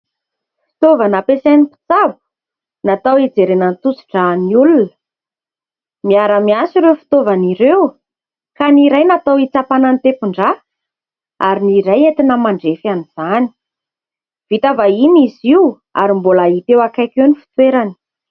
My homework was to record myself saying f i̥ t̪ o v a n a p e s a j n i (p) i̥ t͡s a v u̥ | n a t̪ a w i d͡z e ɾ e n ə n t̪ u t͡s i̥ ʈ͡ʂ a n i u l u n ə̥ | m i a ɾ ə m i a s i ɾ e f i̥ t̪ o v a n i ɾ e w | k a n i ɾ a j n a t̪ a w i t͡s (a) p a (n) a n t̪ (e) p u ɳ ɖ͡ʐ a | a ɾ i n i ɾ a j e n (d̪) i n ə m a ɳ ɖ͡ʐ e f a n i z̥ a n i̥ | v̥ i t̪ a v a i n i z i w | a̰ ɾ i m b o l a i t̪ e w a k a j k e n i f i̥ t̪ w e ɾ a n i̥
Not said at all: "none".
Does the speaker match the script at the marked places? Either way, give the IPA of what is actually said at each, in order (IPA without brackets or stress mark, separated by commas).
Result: p, a, n, e, t̪